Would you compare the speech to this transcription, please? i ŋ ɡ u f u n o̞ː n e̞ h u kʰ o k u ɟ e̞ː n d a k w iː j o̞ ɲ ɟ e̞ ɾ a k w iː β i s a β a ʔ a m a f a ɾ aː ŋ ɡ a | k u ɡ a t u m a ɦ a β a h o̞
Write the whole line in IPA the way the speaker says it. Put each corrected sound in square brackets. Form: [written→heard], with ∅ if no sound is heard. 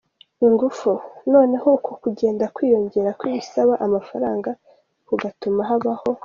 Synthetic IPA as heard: i ŋ ɡ u f u n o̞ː n e̞ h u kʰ o k u ɟ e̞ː n d a k w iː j o̞ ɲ ɟ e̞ ɾ a k w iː β i s a β a ʔ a m a f a ɾ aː ŋ ɡ a | k u ɡ a t u m a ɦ a β a h o̞